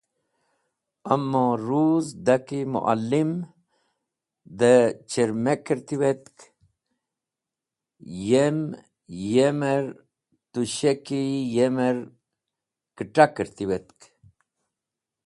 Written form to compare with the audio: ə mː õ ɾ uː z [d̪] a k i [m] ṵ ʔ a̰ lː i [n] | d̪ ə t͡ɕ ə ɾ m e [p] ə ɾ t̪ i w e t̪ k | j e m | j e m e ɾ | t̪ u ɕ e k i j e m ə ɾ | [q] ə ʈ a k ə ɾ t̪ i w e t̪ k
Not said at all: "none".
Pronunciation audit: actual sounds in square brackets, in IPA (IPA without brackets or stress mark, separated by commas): d̪, m, m, k, k